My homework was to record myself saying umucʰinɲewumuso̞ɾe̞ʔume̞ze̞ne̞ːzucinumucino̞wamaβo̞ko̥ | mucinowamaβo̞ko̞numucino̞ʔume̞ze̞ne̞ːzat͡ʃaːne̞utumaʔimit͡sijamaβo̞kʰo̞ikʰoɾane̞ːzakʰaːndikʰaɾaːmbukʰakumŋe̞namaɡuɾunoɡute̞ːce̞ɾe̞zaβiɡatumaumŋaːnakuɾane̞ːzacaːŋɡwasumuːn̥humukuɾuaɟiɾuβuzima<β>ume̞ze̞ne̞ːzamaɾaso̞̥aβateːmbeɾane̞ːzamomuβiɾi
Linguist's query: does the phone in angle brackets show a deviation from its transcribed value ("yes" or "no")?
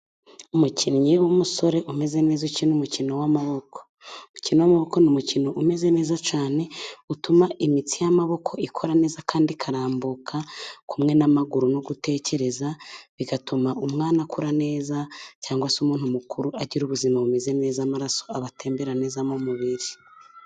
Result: no